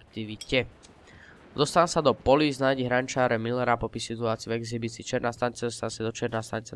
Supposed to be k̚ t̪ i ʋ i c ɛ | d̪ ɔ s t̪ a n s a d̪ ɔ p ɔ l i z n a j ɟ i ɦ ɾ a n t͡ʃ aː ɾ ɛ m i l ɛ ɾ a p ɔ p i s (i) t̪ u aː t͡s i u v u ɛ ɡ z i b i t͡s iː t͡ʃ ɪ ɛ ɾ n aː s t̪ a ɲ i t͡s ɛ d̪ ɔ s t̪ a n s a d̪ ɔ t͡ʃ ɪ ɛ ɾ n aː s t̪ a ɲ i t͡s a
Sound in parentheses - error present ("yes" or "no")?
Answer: no